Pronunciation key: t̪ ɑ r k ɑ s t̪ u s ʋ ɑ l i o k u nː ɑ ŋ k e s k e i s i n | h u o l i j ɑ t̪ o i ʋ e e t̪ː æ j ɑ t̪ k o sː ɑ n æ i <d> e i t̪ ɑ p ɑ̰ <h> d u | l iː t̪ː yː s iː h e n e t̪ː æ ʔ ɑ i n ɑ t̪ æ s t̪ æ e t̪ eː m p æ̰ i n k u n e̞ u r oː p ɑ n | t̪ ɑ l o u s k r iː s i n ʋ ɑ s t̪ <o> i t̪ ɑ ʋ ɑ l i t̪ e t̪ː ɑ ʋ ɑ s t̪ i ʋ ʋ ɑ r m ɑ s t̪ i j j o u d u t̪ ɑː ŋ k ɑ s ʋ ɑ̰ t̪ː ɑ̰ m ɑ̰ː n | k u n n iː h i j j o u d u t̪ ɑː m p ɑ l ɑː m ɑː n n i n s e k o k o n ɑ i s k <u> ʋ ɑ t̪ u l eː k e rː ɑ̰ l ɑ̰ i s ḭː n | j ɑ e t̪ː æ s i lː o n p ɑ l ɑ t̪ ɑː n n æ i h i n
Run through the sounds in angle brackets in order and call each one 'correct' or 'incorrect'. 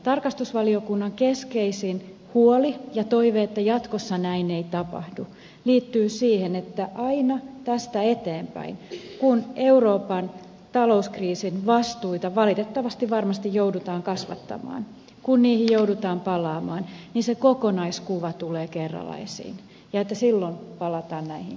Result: incorrect: n, correct, incorrect: u, correct

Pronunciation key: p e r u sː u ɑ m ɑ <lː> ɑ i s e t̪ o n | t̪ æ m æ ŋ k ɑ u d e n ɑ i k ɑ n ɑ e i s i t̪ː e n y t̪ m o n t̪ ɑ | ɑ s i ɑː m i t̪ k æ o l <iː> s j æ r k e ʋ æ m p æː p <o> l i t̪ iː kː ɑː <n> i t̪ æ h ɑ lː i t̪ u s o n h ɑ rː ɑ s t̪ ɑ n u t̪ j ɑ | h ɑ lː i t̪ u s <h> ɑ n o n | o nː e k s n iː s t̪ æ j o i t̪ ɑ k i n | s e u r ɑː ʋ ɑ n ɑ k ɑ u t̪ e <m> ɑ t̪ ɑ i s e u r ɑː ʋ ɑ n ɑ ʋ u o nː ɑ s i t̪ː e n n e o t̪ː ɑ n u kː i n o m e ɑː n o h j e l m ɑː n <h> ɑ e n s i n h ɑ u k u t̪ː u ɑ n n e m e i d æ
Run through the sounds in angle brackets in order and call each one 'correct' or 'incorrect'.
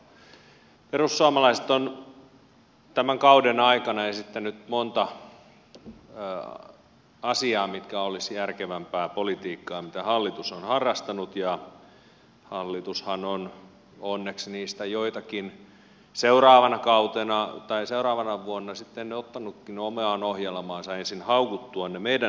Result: incorrect: l, incorrect: i, correct, incorrect: m, correct, incorrect: n, incorrect: s

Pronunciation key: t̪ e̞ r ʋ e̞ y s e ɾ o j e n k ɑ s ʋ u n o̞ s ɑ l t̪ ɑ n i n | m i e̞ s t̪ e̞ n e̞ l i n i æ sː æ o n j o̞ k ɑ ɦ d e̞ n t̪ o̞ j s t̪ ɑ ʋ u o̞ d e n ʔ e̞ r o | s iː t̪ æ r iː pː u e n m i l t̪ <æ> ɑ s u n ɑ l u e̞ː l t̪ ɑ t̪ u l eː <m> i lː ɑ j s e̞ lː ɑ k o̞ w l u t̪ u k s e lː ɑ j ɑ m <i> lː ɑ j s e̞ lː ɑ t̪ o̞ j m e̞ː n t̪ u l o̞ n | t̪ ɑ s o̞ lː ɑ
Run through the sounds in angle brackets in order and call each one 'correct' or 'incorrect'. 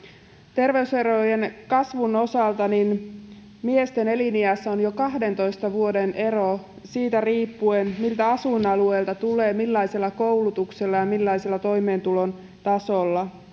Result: correct, correct, correct

